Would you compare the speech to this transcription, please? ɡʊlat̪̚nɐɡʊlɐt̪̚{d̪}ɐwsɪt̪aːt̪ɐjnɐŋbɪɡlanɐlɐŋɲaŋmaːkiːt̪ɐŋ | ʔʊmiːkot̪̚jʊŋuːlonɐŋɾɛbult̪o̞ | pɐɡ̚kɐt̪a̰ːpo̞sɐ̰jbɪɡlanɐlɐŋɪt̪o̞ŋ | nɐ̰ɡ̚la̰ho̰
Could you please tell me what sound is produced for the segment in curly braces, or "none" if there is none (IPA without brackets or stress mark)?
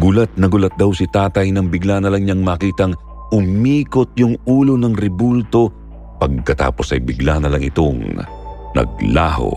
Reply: d̪